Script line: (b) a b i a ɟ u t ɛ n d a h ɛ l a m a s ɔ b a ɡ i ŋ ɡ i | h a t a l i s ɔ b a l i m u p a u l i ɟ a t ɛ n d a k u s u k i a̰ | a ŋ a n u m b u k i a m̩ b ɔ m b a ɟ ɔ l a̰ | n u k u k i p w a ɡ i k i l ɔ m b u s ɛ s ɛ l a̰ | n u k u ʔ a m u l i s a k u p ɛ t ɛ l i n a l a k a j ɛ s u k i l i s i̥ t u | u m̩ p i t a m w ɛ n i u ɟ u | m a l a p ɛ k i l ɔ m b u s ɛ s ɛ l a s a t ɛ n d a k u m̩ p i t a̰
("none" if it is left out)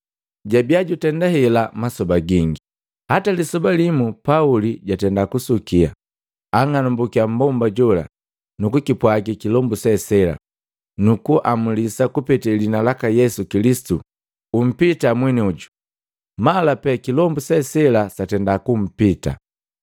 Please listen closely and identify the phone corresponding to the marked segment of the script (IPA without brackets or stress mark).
ɟ